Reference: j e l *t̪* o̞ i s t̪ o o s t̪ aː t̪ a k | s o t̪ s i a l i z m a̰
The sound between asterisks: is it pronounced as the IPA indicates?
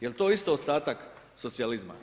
yes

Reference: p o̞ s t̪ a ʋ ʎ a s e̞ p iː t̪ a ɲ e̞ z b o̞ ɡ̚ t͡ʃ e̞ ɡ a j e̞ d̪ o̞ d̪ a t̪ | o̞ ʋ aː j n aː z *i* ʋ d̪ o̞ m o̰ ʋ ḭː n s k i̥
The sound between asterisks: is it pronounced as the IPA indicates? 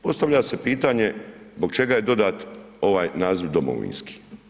yes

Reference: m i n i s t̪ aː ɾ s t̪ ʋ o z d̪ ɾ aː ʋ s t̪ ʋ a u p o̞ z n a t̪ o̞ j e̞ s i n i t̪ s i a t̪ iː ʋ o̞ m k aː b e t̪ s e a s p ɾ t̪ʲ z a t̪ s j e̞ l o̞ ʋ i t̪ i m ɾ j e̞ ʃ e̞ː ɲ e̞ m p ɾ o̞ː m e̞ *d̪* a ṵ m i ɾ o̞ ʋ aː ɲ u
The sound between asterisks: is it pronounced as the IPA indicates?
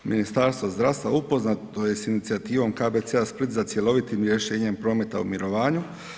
no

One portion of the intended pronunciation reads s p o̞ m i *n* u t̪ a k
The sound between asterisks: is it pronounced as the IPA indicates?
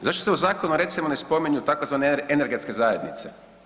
no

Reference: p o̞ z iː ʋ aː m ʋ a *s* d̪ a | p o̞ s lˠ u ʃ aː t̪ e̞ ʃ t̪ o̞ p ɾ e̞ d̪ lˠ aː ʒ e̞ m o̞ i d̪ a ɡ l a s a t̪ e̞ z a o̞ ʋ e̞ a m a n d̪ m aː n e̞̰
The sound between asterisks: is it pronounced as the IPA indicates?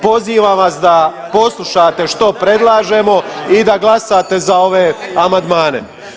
yes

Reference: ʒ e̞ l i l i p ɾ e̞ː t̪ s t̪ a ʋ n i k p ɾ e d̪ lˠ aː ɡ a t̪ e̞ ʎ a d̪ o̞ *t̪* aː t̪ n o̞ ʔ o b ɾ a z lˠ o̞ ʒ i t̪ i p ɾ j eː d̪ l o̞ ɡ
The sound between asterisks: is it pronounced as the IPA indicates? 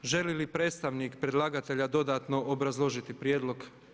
no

